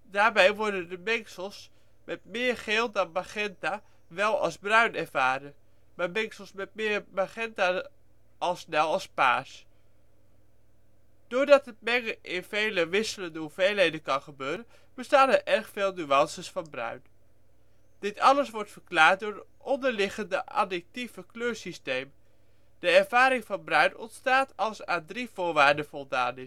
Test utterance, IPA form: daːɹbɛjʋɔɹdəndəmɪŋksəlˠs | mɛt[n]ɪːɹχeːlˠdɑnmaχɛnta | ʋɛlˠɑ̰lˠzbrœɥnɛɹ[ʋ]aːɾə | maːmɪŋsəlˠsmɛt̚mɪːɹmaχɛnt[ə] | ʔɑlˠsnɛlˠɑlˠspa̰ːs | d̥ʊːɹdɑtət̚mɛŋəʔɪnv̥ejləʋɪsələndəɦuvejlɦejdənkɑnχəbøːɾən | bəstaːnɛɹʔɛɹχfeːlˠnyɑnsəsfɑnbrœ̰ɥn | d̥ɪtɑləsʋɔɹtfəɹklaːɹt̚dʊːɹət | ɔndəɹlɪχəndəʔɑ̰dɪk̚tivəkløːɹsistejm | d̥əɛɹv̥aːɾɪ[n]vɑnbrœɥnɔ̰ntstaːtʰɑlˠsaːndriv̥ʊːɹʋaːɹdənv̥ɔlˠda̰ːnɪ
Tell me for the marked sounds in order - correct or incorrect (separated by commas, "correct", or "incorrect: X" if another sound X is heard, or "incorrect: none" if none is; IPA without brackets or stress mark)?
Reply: incorrect: m, incorrect: v, incorrect: a, incorrect: ŋ